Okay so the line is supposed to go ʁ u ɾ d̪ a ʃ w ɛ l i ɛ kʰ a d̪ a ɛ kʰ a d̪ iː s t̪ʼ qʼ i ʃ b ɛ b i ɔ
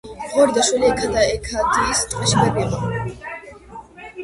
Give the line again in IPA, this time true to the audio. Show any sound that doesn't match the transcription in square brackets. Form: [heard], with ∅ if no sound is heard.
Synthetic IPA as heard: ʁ [ɔ] ɾ d̪ a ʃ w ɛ l i ɛ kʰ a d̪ a ɛ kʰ a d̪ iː s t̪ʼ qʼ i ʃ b ɛ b i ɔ